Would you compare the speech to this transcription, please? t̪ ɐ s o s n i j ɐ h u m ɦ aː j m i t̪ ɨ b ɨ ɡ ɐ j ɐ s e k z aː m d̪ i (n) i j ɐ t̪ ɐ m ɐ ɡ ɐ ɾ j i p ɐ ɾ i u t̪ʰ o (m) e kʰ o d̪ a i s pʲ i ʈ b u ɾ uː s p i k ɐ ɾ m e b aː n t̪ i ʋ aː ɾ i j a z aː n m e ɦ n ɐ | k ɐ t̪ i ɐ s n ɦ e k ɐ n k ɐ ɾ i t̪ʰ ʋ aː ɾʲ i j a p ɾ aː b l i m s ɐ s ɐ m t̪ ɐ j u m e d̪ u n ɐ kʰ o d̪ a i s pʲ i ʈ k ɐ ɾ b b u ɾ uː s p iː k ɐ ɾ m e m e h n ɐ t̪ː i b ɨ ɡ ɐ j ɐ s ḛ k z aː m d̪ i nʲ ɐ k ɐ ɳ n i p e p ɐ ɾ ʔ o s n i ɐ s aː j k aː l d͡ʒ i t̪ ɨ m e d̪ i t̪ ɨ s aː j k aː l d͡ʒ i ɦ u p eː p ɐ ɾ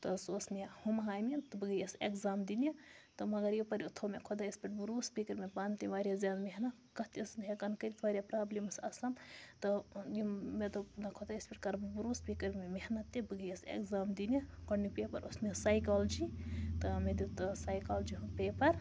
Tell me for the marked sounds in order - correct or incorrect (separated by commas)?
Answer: correct, correct